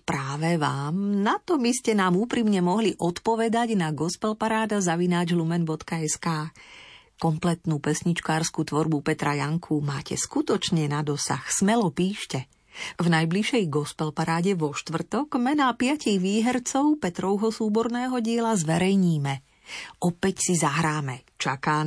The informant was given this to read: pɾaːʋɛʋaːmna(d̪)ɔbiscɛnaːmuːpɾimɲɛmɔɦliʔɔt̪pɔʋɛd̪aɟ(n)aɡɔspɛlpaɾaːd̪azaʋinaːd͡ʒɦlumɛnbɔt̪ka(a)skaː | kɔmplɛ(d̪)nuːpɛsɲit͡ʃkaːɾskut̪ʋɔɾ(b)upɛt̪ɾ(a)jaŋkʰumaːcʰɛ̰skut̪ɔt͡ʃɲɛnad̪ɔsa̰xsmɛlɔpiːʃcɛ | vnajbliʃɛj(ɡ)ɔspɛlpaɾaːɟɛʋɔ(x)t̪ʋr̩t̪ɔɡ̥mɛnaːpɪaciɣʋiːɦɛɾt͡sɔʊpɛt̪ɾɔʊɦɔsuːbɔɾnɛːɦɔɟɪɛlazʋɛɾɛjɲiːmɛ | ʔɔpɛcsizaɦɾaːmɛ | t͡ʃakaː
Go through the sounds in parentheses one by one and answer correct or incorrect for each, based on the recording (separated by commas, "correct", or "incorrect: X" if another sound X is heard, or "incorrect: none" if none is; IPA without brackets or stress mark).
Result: incorrect: t̪, correct, incorrect: ɛ, incorrect: t̪, correct, correct, correct, incorrect: ʃ